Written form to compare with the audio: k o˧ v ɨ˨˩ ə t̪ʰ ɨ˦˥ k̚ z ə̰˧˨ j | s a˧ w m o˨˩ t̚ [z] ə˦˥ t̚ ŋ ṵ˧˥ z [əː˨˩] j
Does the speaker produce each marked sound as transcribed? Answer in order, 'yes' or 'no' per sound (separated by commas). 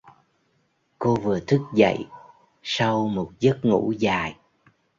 yes, no